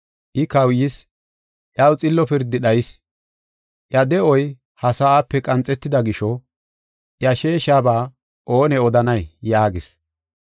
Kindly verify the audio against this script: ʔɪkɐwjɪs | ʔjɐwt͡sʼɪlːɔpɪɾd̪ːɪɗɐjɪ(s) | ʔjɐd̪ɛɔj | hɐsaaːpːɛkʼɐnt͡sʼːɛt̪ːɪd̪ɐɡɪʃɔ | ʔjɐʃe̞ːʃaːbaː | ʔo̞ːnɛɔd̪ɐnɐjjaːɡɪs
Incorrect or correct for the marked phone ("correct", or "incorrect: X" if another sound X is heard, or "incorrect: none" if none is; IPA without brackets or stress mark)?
correct